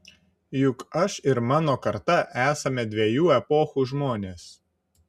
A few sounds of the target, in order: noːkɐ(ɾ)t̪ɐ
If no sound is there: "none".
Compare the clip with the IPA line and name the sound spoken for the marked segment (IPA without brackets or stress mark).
ɾ